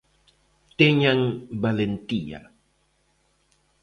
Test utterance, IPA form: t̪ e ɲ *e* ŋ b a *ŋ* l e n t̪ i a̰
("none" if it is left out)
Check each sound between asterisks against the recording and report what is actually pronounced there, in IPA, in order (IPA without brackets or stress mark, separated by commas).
a, none